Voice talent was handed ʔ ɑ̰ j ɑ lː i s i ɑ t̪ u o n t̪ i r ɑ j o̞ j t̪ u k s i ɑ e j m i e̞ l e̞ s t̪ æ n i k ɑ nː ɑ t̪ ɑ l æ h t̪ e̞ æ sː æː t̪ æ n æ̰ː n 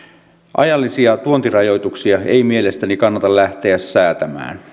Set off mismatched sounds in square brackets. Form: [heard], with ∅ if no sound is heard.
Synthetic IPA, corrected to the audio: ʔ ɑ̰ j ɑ lː i s i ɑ t̪ u o n t̪ i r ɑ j o̞ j t̪ u k s i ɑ e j m i e̞ l e̞ s t̪ æ n i k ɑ nː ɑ t̪ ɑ l æ h t̪ e̞ æ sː æː t̪ æ [m] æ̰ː n

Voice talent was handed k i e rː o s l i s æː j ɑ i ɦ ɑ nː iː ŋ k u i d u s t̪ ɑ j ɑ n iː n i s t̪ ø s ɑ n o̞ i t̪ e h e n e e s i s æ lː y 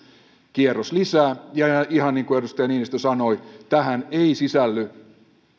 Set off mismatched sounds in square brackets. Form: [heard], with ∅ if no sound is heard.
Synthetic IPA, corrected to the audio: k i e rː o s l i s æː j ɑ i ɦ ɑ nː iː ŋ k u [e] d u s t̪ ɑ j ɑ n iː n i s t̪ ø s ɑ n o̞ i t̪ [æ] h [æ] n e [i] s i s æ lː y

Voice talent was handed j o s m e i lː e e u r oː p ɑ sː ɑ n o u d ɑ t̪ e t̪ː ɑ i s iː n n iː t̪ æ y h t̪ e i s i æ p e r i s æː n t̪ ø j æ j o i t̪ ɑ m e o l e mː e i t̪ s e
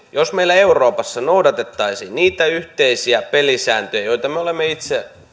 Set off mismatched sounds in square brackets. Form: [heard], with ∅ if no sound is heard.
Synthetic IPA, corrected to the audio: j o s m e i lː [æ] e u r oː p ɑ sː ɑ n o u d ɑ t̪ e t̪ː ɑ i s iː n n iː t̪ æ y h t̪ e i s i æ p e [l] i s æː n t̪ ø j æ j o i t̪ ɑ m e o l e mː e i t̪ s e

